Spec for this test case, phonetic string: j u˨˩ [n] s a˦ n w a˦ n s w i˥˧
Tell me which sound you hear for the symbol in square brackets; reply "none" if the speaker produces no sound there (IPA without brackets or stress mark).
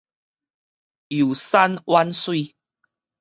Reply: none